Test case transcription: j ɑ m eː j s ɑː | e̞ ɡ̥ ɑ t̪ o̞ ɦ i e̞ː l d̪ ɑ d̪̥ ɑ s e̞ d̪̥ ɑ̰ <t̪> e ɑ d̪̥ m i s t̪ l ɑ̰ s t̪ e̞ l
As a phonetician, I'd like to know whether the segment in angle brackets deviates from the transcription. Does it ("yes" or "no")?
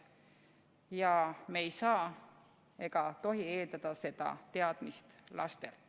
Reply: no